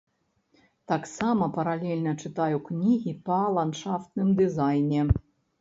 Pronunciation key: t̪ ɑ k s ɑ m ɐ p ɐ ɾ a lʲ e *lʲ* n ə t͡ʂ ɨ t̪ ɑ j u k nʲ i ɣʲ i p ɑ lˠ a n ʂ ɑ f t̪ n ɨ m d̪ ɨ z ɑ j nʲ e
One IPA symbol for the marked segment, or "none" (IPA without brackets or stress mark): lʲ